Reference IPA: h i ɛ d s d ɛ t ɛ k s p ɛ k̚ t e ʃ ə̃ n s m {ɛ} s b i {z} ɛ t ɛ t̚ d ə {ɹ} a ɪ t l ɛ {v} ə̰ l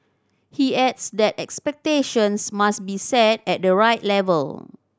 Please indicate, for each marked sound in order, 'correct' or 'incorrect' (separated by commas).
incorrect, incorrect, correct, correct